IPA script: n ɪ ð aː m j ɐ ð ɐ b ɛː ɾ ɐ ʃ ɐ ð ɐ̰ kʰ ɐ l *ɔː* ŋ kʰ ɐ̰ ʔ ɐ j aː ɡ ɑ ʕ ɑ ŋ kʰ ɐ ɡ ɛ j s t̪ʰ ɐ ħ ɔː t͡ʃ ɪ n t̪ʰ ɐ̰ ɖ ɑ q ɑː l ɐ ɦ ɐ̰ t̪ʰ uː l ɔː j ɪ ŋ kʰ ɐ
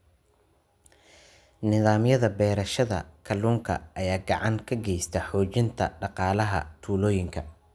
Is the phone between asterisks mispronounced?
yes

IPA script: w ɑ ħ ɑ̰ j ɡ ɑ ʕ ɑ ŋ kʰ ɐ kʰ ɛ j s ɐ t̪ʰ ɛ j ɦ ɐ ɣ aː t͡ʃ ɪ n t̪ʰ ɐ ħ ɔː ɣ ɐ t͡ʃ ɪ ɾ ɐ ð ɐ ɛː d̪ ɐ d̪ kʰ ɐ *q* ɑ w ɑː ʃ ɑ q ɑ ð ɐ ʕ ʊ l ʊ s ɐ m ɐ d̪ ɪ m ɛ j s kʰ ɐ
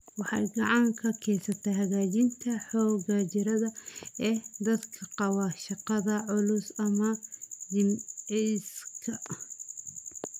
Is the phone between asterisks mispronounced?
no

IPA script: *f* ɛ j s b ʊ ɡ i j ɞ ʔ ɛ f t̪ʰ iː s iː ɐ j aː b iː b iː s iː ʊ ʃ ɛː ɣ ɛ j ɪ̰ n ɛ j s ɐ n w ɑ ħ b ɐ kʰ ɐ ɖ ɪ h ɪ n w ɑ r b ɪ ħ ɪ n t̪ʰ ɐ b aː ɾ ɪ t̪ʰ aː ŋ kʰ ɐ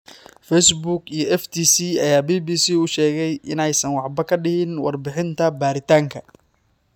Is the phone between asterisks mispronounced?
no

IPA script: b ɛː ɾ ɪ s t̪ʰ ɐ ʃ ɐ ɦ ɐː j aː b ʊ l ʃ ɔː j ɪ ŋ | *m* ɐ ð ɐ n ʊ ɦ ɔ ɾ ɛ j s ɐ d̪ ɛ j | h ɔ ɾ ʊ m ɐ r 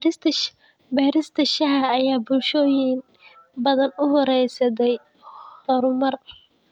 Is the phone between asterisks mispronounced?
yes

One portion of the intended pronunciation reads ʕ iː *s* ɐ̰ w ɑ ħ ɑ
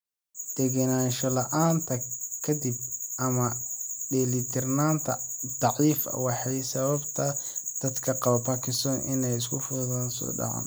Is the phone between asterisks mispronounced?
yes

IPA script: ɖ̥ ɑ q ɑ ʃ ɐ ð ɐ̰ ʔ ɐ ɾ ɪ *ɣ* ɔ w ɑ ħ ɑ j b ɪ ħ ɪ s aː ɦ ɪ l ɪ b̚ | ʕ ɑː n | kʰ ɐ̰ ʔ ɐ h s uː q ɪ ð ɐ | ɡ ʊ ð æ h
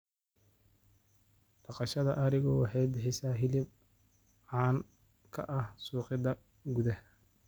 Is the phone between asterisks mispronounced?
no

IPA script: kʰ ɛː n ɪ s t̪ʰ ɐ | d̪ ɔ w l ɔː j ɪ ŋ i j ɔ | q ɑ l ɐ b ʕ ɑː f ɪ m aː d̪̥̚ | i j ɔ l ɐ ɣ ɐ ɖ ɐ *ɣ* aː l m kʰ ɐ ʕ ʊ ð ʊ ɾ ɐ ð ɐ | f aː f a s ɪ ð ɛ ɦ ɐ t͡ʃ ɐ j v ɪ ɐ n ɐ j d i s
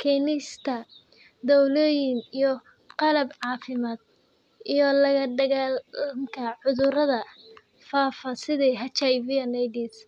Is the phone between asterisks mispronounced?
no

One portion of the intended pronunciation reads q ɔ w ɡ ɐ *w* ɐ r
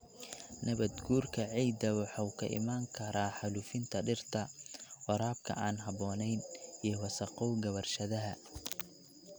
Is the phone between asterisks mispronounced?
yes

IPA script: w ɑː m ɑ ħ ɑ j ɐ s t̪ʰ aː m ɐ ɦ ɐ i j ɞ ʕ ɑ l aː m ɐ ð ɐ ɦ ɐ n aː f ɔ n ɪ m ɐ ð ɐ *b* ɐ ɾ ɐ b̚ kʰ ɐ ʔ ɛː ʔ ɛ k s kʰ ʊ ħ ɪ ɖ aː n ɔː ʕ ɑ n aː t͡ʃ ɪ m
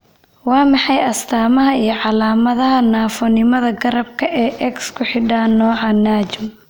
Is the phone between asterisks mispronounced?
yes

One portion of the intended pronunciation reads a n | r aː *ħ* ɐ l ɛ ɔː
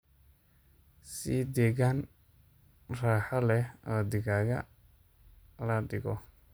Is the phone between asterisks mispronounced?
no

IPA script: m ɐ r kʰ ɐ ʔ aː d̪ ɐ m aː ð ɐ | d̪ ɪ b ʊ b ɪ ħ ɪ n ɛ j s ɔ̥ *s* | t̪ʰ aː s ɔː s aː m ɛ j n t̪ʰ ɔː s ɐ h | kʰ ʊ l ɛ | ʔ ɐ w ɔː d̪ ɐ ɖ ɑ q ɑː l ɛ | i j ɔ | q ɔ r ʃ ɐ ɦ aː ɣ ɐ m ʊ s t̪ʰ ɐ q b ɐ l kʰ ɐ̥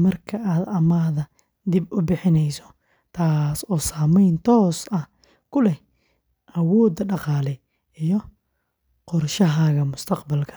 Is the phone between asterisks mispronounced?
yes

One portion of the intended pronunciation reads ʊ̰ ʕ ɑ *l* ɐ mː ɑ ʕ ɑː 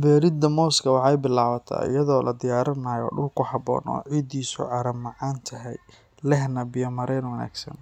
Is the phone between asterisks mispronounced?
yes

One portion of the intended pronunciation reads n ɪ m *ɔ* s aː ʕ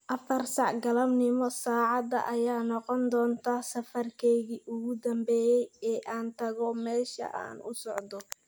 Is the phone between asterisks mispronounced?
no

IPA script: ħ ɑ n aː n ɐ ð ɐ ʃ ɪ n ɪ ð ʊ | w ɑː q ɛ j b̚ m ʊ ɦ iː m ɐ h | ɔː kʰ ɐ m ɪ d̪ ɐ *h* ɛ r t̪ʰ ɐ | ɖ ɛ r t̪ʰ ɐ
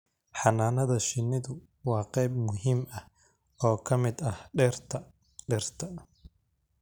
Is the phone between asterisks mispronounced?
no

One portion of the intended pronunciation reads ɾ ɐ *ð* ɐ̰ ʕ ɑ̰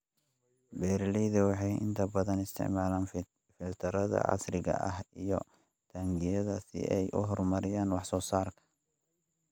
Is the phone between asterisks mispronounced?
no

